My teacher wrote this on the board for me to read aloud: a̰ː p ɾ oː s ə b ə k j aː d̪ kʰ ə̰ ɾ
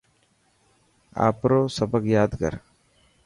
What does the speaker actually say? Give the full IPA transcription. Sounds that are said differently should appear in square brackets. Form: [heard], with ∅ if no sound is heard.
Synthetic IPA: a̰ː p ɾ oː s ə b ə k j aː d̪ [k] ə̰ ɾ